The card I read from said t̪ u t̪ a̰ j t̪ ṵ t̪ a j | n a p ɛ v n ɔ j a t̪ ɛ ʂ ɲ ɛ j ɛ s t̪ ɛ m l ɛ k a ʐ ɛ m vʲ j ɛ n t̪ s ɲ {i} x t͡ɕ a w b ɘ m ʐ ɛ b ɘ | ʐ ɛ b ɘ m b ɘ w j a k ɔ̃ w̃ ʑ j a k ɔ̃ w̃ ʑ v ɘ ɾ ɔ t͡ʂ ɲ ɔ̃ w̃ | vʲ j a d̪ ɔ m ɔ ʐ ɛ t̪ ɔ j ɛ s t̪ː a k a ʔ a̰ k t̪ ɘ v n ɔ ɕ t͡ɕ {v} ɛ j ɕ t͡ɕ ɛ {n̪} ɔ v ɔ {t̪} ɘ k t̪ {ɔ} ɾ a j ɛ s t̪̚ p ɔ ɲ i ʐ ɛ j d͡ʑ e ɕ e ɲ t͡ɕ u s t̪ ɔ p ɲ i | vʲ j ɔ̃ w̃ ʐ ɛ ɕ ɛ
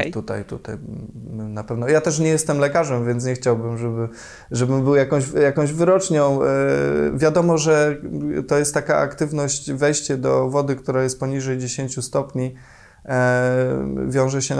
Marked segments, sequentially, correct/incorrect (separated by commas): incorrect, correct, incorrect, incorrect, incorrect